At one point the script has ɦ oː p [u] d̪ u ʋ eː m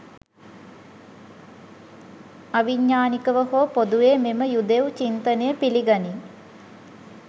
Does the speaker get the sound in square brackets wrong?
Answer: yes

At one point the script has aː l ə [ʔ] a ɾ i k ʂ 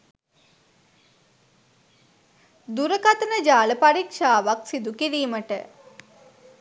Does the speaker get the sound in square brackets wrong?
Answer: yes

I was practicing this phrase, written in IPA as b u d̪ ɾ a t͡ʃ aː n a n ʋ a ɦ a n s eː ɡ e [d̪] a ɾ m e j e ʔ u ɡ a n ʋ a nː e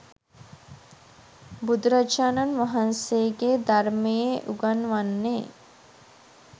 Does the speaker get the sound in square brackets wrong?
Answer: no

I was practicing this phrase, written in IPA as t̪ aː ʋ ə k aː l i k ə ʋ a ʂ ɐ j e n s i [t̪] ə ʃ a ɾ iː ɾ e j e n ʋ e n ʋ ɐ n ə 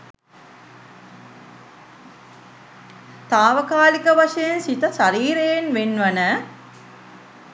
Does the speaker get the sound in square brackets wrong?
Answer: no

